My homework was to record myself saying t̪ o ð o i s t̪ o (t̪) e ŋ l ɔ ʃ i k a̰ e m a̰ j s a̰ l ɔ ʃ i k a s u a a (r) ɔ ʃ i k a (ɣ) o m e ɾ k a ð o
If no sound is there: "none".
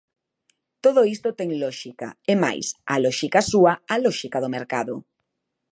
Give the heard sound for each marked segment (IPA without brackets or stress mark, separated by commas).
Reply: t̪, l, ð